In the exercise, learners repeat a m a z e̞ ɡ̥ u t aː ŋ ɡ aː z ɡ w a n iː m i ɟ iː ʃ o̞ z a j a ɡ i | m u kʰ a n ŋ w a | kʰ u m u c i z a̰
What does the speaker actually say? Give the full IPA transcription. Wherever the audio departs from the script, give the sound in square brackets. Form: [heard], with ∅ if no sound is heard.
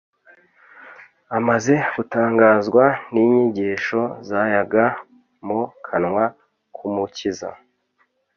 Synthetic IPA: a m a z e̞ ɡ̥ u t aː ŋ ɡ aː z ɡ w a n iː [ɲ] i ɟ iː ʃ o̞ z a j a ɡ [a] | m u kʰ a n ŋ w a | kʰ u m u c i z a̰